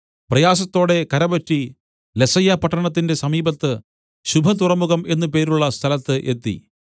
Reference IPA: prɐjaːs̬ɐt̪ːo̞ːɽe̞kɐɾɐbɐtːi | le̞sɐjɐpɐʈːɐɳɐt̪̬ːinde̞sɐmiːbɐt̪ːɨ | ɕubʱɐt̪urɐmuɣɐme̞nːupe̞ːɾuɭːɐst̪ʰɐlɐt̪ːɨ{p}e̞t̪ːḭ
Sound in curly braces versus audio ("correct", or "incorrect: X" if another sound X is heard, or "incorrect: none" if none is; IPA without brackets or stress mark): incorrect: ʔ